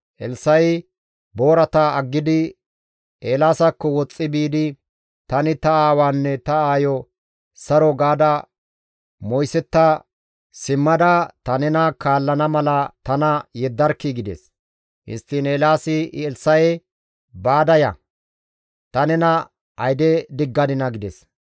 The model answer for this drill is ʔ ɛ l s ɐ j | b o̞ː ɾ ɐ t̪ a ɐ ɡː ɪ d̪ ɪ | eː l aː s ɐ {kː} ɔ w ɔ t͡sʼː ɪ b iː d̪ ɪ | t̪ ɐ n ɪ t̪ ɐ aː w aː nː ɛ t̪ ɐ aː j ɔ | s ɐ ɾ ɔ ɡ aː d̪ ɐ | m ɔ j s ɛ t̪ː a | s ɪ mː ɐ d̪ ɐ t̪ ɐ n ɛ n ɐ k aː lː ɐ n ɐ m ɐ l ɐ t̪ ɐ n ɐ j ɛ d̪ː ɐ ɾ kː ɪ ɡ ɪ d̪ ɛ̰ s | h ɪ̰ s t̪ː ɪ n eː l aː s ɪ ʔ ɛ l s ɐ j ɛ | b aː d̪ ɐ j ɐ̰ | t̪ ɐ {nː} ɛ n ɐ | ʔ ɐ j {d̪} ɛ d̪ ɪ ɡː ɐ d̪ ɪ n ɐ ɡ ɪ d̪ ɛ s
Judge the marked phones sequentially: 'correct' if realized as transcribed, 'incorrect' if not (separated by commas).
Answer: correct, incorrect, correct